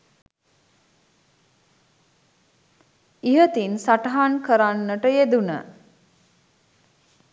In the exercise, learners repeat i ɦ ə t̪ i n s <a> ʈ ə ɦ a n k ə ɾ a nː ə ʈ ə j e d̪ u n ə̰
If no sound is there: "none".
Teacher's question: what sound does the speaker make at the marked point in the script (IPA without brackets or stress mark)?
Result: a